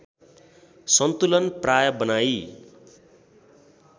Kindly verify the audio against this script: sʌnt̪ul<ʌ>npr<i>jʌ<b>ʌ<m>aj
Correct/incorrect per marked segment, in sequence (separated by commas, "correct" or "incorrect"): correct, incorrect, correct, incorrect